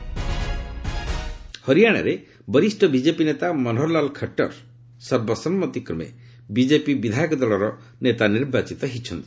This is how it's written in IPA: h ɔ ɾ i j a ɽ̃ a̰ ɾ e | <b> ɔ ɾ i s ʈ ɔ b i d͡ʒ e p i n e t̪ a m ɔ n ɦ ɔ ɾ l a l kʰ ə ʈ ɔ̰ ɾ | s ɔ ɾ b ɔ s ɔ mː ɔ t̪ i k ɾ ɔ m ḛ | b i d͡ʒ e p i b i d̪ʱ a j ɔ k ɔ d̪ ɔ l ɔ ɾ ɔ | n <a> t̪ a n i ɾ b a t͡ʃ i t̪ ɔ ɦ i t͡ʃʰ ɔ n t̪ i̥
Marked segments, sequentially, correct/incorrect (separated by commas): correct, incorrect